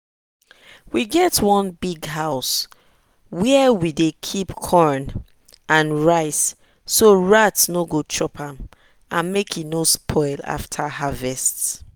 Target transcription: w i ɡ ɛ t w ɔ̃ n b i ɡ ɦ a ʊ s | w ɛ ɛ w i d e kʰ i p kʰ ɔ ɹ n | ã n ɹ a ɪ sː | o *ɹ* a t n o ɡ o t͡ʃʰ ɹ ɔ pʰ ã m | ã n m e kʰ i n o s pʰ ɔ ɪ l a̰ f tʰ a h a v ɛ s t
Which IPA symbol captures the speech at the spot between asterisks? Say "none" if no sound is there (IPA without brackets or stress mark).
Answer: ɹ